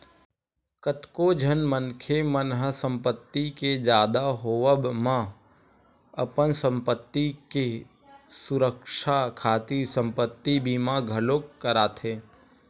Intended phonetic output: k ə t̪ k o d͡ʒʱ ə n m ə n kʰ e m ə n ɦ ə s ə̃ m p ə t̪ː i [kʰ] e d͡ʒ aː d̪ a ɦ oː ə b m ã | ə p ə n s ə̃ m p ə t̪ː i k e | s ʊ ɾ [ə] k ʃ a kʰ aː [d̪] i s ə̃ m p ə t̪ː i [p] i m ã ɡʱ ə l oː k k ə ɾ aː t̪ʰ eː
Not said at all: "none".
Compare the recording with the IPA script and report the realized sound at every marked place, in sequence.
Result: k, ə, t̪, b

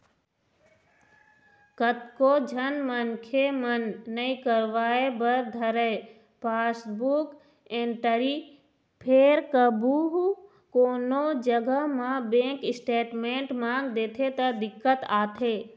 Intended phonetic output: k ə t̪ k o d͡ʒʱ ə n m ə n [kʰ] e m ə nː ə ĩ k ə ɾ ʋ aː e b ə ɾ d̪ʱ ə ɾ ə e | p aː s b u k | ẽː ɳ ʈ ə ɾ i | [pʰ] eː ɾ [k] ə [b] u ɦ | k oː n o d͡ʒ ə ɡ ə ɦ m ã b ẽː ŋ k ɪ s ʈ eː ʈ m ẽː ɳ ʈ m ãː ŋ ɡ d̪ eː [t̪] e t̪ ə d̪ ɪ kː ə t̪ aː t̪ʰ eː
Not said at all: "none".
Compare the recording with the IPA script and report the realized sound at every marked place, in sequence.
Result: kʰ, pʰ, k, b, t̪ʰ

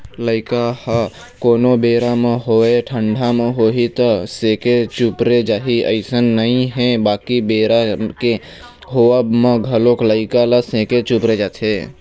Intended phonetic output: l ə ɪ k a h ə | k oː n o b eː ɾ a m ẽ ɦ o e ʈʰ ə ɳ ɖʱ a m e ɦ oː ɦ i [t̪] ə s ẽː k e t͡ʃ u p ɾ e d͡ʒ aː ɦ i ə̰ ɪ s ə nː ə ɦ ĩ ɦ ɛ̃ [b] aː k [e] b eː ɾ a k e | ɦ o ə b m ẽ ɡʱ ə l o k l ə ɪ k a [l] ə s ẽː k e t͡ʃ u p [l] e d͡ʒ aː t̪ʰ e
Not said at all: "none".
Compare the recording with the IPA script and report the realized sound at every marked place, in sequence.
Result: t̪, b, i, l, ɾ

